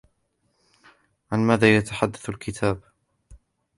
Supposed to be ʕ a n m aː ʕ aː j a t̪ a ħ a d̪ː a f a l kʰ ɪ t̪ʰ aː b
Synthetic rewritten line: ʕ a n m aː ð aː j a t̪ a ħ a d̪ː a θ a l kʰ ɪ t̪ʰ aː b